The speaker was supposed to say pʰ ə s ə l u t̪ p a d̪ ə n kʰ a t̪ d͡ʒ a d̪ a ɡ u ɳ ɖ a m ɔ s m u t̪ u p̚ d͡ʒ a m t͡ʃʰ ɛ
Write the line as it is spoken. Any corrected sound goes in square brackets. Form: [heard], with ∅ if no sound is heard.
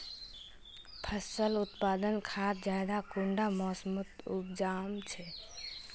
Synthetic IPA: pʰ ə s ə l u t̪ p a d̪ ə n kʰ a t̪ d͡ʒ a d̪ a [k] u ɳ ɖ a m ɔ s m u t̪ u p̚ d͡ʒ a m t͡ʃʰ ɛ

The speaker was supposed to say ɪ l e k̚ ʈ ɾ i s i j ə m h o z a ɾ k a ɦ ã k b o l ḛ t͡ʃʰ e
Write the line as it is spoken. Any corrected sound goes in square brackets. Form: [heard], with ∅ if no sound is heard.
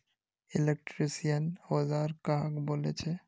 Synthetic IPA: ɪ l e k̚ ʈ ɾ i s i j ə [n] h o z a ɾ k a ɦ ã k b o l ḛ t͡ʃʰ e

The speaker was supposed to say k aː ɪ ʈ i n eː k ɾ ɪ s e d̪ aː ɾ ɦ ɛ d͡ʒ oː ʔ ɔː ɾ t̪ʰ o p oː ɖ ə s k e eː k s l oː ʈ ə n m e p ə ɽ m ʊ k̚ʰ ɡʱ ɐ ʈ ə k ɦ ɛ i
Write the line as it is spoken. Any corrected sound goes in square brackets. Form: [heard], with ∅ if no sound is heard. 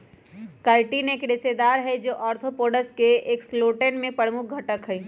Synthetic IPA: k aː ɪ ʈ i n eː k ɾ ɪ s e d̪ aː ɾ ɦ ɛ d͡ʒ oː ʔ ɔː ɾ t̪ʰ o p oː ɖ ə s k e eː k s l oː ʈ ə n m [ẽ] p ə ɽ m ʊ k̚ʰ ɡʱ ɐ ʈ ə k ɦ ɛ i

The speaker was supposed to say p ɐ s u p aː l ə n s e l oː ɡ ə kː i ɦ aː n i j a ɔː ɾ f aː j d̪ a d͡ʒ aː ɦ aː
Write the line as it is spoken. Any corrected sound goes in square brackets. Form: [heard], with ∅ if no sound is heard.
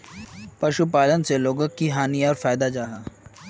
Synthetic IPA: p ɐ [ʃ] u p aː l ə n s e l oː ɡ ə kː i ɦ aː n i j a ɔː ɾ f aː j d̪ a d͡ʒ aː ɦ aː

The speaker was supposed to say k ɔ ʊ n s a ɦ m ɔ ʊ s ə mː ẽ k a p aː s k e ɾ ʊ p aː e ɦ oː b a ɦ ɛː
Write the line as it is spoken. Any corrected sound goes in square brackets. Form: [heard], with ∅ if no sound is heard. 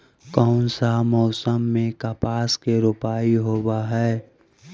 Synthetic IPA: k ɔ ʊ n s a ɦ m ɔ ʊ s ə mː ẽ k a p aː s k e ɾ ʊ p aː [i] ɦ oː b a ɦ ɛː

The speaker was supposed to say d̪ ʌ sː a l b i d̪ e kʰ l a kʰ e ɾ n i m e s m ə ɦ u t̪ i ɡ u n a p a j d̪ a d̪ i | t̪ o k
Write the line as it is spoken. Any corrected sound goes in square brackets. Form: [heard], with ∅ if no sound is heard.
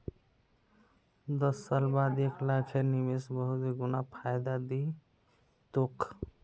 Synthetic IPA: d̪ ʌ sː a l b [a] d̪ e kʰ l a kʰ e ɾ n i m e s [b] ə ɦ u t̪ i ɡ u n a [pʰ] a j d̪ a d̪ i | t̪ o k

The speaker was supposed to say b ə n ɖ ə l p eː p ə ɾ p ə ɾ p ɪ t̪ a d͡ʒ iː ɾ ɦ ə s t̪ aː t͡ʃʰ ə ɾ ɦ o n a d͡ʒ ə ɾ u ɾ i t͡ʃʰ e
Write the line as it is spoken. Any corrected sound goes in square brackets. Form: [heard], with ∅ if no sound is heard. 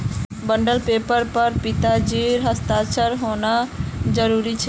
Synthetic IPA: b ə [ɳ] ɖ ə l p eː p ə ɾ p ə ɾ p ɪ t̪ a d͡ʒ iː ɾ ɦ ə s t̪ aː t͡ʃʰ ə ɾ ɦ o n a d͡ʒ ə ɾ u ɾ i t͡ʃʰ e

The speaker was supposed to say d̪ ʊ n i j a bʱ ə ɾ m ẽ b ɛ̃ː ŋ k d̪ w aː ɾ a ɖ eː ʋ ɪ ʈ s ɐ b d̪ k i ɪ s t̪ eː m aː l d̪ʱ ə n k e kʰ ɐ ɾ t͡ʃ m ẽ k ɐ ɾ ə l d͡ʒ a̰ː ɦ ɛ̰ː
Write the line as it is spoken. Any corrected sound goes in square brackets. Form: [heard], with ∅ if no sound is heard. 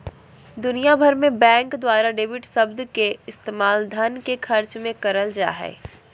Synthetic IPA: d̪ ʊ n i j a bʱ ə ɾ m ẽ b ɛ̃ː ŋ k d̪ w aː ɾ a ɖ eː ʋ ɪ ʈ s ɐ b d̪ k [e] ɪ s t̪ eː m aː l d̪ʱ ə n k e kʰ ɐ ɾ t͡ʃ m ẽ k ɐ ɾ ə l d͡ʒ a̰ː ɦ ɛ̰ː

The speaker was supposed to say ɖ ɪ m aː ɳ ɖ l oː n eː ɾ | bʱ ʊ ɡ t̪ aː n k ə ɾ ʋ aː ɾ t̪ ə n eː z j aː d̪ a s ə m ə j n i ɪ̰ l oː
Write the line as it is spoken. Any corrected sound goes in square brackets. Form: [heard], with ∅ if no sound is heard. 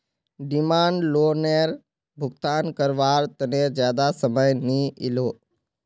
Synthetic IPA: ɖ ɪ m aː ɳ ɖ l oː n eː ɾ | bʱ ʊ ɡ t̪ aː n k ə ɾ ʋ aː ɾ t̪ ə n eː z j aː d̪ a s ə m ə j n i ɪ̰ l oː

